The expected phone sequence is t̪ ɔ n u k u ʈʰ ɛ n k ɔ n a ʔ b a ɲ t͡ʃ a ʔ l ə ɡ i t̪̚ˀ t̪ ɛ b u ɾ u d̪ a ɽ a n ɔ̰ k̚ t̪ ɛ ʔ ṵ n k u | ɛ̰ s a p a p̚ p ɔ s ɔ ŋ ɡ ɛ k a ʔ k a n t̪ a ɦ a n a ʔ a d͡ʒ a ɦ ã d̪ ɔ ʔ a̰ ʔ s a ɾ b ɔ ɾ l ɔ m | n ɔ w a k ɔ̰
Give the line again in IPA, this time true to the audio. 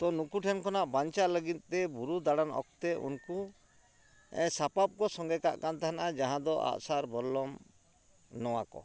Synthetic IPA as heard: t̪ ɔ n u k u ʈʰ ɛ n k ɔ n a ʔ b a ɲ t͡ʃ a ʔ l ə ɡ i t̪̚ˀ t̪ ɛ b u ɾ u d̪ a ɽ a n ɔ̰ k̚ t̪ ɛ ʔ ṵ n k u | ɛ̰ s a p a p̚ k ɔ s ɔ ŋ ɡ ɛ k a ʔ k a n t̪ a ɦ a n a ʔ a d͡ʒ a ɦ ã d̪ ɔ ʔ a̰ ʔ s a ɾ b ɔ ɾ l ɔ m | n ɔ w a k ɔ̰